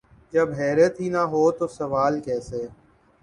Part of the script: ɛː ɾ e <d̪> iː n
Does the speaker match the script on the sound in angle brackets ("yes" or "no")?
no